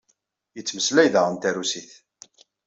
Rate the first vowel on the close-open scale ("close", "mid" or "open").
mid